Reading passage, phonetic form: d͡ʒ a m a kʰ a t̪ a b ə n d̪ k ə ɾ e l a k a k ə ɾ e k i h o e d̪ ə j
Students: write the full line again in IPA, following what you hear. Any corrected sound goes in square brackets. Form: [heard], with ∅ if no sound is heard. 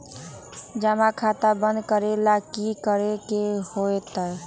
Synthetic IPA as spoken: d͡ʒ a m a kʰ a t̪ a b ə n d̪ k ə ɾ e l a k [i] k ə ɾ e k [e] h o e [t̪] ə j

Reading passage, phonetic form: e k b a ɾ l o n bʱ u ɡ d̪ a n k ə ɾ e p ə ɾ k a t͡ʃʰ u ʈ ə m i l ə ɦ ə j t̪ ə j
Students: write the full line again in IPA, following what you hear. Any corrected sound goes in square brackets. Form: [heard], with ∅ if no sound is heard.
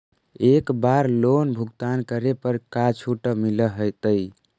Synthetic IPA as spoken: e k b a ɾ l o n bʱ u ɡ [t̪] a n k ə ɾ e p ə ɾ k a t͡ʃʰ u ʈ ə m i l ə ɦ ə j t̪ ə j

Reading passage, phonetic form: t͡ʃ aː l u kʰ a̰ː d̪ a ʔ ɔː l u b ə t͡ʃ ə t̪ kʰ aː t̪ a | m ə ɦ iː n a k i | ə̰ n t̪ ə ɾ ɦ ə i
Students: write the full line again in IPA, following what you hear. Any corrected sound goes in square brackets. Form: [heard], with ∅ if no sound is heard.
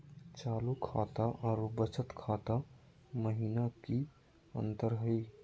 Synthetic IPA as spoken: t͡ʃ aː l u kʰ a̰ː [t̪] a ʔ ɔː [ɾ] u b ə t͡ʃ ə t̪ kʰ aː t̪ a | m ə ɦ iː n a k i | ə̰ n t̪ ə ɾ ɦ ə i

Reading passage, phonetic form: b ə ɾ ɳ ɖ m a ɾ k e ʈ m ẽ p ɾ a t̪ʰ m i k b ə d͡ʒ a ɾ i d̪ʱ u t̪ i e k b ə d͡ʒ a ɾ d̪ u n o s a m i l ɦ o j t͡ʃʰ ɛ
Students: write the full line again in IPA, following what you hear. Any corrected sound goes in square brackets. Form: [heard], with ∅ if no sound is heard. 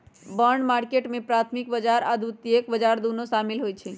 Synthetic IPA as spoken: b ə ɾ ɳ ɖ m a ɾ k e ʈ m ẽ p ɾ a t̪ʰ m i k b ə d͡ʒ a ɾ [a] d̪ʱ u t̪ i e k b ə d͡ʒ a ɾ d̪ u n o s a m i l ɦ o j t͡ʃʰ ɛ

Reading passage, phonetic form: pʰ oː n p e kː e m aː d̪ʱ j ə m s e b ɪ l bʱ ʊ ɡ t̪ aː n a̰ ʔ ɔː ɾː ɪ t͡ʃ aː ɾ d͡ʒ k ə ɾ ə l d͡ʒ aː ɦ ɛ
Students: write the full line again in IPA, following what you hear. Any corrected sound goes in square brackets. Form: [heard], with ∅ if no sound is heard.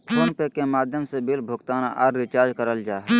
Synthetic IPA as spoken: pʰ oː n p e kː e m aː d̪ʱ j ə m s e b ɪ l bʱ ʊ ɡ t̪ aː n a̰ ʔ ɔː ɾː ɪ t͡ʃ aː ɾ d͡ʒ k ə ɾ ə l d͡ʒ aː ɦ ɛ

